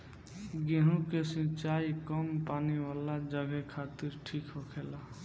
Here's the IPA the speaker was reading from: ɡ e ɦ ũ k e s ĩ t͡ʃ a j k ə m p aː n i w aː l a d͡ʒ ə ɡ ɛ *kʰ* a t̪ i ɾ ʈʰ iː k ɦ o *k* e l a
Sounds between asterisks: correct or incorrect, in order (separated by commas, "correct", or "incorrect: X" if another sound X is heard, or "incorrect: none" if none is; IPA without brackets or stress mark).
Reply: correct, incorrect: kʰ